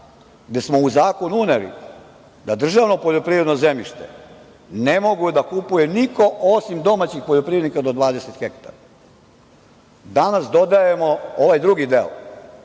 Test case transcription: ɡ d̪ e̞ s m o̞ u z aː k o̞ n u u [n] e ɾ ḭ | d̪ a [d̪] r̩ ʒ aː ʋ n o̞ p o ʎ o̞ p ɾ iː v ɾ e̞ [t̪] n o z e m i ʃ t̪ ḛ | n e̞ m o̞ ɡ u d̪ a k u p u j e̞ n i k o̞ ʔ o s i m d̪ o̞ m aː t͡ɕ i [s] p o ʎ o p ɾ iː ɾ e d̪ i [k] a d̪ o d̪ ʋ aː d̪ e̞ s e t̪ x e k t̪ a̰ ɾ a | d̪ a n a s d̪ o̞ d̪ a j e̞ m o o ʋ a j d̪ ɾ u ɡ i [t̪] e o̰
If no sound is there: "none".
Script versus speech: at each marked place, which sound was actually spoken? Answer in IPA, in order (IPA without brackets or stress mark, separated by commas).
n, d̪, d̪, x, k, d̪